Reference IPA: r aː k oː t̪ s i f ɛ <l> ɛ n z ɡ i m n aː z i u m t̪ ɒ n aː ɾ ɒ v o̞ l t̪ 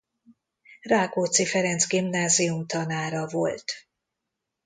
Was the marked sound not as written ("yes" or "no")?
yes